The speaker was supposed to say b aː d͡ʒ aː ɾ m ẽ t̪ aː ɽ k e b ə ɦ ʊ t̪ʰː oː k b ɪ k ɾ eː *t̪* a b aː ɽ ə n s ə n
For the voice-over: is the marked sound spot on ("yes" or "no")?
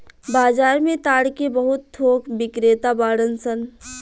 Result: yes